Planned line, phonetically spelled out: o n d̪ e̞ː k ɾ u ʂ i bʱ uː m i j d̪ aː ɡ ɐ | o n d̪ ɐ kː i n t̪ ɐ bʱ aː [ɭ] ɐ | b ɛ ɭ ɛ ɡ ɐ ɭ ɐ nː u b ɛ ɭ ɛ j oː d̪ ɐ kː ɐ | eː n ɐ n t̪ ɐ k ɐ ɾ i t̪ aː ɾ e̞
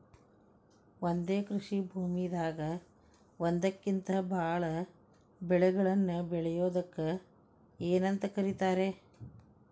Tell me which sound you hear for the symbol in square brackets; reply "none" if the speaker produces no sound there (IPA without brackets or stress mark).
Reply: ɭ